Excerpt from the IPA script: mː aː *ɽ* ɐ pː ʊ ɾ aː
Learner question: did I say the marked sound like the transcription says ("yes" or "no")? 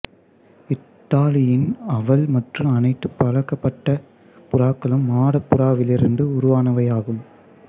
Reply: yes